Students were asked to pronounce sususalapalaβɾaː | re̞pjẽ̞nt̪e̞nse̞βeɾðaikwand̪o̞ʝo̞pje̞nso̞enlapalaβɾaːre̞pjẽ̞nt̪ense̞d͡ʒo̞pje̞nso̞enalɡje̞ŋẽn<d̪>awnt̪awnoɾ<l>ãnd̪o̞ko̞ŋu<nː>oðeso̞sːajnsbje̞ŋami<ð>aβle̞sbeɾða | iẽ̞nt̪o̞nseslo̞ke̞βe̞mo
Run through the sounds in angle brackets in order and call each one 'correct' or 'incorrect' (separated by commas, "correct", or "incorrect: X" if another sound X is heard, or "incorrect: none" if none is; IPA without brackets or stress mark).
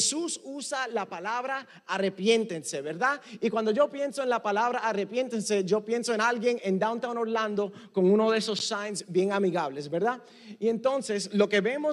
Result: correct, correct, incorrect: n, incorrect: ɣ